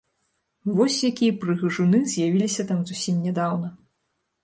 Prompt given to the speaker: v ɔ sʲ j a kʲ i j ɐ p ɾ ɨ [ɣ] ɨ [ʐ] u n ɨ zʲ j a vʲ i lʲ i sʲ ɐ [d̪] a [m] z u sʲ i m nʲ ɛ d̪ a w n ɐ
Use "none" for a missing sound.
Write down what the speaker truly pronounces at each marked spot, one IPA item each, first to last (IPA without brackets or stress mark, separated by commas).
ɣ, ʐ, t̪, m